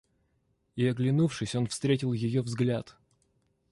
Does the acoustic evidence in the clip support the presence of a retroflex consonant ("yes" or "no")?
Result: yes